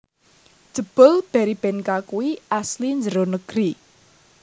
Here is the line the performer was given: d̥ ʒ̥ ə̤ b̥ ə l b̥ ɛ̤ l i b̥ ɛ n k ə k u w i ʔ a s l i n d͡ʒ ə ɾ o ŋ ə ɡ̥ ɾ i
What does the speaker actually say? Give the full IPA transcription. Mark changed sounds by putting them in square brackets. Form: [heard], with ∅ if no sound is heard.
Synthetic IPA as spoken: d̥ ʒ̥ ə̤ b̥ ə l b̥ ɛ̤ [ɾ] i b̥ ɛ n k [a] k u w i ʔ a s l i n d͡ʒ ə ɾ o [n] ə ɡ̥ ɾ i

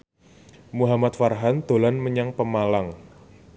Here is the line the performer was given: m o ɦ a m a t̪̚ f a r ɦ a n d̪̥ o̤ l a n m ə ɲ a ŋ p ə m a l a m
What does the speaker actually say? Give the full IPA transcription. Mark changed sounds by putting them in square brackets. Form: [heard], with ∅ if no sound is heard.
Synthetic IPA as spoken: m [u] ɦ a m a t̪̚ f a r ɦ a n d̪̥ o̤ l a n m ə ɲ a ŋ p ə m a l a [ŋ]

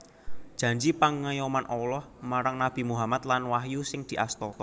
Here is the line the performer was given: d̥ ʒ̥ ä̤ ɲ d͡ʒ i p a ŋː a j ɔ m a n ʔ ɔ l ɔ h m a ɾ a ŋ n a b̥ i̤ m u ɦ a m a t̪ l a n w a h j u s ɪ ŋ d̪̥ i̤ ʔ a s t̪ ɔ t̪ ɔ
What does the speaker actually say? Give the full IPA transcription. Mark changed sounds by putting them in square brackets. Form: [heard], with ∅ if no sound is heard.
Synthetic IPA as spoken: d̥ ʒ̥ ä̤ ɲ d͡ʒ i p a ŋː a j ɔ m a n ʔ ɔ l ɔ h m a ɾ a ŋ n a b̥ i̤ m u ɦ a m a t̪ l a n w a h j u s ɪ ŋ d̪̥ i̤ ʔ a s t̪ ɔ t̪ ɔ

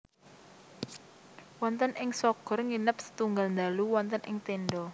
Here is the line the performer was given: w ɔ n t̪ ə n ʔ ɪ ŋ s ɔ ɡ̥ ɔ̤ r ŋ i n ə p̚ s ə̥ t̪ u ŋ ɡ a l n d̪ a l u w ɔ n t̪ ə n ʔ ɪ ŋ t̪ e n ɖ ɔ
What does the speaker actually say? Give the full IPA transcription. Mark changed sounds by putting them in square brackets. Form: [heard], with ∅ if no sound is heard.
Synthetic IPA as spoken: w ɔ n t̪ ə n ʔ ɪ ŋ s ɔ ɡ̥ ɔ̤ r ŋ i n ə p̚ s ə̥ t̪ u ŋ ɡ a l n d̪ a l u w ɔ n t̪ ə n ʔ ɪ ŋ t̪ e n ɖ ɔ

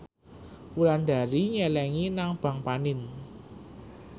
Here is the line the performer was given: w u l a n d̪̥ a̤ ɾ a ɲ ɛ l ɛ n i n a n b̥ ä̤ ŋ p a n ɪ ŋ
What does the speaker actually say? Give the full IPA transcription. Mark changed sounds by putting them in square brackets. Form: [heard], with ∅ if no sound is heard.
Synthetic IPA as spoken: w u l a n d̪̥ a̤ ɾ [i] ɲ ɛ l ɛ [ŋ] i n a [ŋ] b̥ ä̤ ŋ p a n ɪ [n]

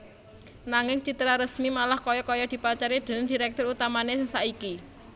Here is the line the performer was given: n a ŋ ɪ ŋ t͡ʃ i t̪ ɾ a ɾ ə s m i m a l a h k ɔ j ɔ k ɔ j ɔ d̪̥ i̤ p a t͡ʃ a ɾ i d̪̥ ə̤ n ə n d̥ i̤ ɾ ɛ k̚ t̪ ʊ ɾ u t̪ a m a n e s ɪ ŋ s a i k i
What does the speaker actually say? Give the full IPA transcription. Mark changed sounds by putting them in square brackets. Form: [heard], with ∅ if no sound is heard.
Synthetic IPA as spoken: n a ŋ ɪ ŋ t͡ʃ i t̪ ɾ a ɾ ə s m i m a l a h k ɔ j ɔ k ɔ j ɔ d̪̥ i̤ p a t͡ʃ a ɾ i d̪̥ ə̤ n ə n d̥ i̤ ɾ ɛ k̚ t̪ ʊ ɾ u t̪ a m a n e s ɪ ŋ s a i k i

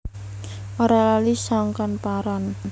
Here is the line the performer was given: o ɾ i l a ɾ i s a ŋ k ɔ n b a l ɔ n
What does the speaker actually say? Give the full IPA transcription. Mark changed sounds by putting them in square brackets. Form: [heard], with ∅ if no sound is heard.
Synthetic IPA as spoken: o ɾ [a] l a [l] i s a ŋ k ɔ n [p] a [ɾ] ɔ n

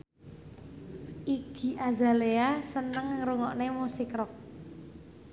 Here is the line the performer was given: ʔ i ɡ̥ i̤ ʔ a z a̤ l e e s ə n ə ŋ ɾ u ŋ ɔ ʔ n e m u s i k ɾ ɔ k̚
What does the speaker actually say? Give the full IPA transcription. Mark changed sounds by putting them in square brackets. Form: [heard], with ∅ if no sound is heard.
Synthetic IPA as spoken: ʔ i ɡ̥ i̤ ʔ a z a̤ l e [a] s ə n ə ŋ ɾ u ŋ ɔ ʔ n e m u s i k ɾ ɔ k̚

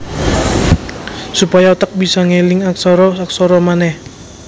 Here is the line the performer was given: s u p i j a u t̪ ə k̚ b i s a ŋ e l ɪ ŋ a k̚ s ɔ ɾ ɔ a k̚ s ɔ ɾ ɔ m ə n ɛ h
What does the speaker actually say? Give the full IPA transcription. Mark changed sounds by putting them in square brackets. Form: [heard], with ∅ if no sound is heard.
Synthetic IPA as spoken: s u p [a] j a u t̪ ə k̚ b i s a ŋ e l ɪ ŋ a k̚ s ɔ ɾ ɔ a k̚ s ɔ ɾ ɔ m [a] n ɛ h

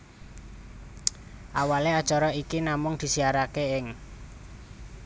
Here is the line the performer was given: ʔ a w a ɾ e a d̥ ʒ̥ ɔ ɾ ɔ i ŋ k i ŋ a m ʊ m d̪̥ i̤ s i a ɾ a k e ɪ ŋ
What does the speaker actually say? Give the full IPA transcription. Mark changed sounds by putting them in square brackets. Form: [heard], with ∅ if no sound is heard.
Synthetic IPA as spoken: ʔ a w a [l] e a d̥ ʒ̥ ɔ ɾ ɔ i [∅] k i [n] a m ʊ [ŋ] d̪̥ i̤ s i a ɾ a k e ɪ ŋ

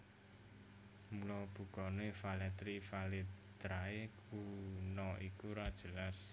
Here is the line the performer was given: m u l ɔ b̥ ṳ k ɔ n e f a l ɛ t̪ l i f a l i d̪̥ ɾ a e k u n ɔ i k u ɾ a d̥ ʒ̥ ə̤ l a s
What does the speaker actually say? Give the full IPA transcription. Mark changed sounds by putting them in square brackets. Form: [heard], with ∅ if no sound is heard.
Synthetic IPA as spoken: m u l ɔ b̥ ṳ k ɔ n e f a l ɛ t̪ [ɾ] i f a l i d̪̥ ɾ a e k u n ɔ i k u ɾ a d̥ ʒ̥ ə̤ l a s

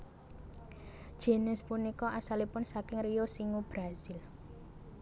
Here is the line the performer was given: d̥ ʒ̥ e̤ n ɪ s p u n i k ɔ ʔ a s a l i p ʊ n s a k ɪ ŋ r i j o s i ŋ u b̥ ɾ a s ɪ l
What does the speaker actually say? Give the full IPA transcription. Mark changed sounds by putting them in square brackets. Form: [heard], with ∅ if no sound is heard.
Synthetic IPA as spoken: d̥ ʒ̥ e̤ n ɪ s p u n i k ɔ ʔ a s a l i p ʊ n s a k ɪ ŋ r i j o s i ŋ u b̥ ɾ a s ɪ l

